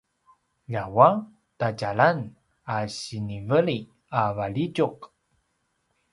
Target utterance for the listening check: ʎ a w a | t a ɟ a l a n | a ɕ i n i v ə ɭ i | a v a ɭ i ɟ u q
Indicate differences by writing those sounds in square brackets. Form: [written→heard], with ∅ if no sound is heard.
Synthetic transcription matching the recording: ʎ a w a | t a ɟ a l a n | a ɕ i n i v ə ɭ i | a v a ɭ i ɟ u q